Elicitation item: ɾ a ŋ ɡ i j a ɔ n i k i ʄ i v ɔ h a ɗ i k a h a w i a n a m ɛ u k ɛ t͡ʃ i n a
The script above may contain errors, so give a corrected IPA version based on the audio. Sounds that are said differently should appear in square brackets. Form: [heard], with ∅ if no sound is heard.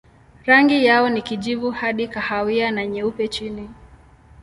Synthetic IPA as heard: ɾ a ŋ ɡ i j a ɔ n i k i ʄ i v [u] h a ɗ i k a h a w i a n a [ɲ] ɛ u [p] ɛ t͡ʃ i n [i]